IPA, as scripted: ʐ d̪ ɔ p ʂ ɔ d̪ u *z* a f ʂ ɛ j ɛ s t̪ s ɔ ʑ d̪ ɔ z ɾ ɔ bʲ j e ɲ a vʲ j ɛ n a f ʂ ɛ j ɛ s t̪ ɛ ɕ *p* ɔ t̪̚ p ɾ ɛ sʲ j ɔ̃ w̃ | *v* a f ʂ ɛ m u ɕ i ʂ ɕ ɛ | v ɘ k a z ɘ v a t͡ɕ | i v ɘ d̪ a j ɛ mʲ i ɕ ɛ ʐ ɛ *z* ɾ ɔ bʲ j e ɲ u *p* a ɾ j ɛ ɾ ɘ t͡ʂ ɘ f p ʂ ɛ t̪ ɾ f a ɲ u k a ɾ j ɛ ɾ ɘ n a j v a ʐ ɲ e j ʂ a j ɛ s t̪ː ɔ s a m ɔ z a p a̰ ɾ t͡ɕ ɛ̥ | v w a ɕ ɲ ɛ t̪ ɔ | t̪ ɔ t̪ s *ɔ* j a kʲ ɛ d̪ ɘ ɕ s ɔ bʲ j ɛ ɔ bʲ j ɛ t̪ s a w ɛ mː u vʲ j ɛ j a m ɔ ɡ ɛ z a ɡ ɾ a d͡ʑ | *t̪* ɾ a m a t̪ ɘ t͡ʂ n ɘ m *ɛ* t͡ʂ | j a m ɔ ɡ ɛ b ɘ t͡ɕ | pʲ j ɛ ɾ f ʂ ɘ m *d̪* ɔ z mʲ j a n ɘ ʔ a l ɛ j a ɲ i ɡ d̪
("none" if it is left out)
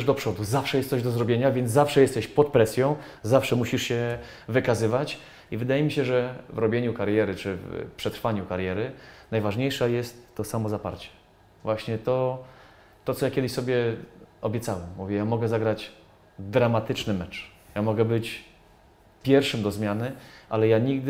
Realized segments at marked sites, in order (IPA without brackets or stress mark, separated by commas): z, p, z, v, k, ɔ, d̪, ɛ, d̪